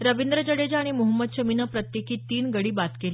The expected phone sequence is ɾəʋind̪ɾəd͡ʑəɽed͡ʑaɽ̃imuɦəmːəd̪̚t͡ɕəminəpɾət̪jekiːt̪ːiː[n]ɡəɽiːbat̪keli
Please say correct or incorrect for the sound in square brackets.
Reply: correct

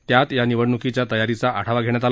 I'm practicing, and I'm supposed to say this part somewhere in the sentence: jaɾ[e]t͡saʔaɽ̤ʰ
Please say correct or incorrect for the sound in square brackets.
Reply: incorrect: i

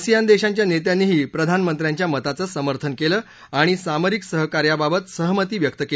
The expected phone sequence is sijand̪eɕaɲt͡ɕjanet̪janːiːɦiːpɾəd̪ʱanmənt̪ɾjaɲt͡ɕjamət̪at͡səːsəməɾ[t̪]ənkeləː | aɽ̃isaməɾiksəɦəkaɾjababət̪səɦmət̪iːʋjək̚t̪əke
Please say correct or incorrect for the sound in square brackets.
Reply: incorrect: t̪ʰ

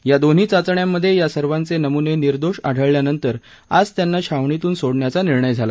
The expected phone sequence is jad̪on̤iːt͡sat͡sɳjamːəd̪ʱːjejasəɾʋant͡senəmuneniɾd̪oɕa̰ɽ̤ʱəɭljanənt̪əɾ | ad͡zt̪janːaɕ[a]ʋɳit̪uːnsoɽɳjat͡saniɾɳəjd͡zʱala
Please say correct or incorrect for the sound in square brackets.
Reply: correct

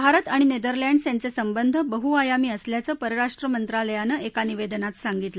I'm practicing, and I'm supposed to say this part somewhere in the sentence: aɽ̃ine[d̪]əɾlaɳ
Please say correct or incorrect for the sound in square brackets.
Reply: correct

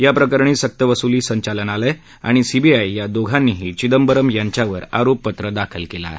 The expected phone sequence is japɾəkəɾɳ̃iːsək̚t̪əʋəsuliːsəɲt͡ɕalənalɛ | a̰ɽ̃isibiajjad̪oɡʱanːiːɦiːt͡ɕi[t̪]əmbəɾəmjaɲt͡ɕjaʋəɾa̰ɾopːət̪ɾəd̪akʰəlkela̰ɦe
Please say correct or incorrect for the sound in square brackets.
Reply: incorrect: d̪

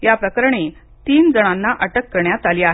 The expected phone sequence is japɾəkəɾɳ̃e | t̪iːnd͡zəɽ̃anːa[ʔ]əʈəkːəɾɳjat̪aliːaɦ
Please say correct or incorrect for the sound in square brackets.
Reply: correct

